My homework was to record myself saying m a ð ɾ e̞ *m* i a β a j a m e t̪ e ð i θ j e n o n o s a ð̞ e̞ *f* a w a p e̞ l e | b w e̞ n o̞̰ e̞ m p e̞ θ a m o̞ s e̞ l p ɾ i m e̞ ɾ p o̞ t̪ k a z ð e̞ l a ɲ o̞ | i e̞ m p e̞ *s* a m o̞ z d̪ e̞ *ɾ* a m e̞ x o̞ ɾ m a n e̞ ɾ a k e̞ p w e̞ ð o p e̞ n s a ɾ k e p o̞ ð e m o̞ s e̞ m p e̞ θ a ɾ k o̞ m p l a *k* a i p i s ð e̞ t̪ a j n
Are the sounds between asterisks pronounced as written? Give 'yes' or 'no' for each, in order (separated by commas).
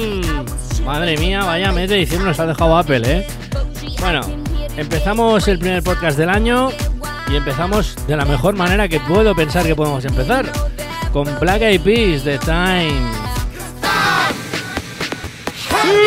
yes, no, no, no, yes